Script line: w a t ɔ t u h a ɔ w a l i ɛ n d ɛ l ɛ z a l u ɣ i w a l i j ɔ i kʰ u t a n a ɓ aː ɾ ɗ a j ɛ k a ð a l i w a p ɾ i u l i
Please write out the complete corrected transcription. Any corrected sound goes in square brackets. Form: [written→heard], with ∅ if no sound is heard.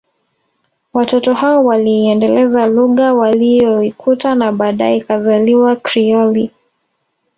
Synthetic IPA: w a t ɔ t [u→ɔ] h a ɔ w a l i ɛ n d ɛ l ɛ z a l u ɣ [i→a] w a l i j ɔ i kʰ u t a n a ɓ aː [ɾ→∅] ɗ a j ɛ k a [ð→z] a l i w a [p→k] ɾ i [u→ɔ] l i